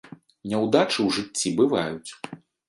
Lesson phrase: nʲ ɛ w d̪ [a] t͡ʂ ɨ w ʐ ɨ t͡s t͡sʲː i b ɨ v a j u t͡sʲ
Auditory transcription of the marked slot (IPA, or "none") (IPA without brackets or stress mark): a